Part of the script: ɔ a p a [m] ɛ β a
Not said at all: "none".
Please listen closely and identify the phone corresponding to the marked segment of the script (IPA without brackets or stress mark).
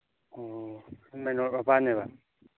n